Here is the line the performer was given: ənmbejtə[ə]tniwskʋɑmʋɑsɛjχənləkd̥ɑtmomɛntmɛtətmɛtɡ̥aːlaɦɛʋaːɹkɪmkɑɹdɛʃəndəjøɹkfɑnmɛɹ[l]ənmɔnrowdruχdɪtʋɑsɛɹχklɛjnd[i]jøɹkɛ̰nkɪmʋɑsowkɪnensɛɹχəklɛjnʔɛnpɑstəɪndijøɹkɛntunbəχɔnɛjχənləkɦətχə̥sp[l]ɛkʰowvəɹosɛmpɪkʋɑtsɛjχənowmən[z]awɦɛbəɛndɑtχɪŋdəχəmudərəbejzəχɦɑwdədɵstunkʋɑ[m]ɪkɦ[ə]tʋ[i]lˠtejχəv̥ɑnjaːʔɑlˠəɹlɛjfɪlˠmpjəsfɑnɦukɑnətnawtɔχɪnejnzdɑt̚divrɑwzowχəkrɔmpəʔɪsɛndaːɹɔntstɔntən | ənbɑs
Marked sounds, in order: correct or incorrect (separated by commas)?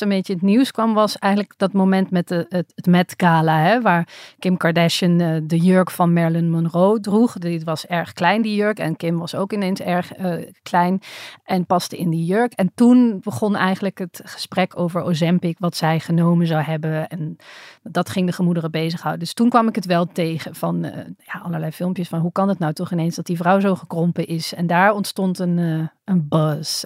correct, correct, correct, incorrect, correct, correct, correct, incorrect